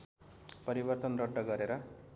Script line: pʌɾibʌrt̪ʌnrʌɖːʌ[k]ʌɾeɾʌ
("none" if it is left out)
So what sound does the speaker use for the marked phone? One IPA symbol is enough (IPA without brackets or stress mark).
ɡ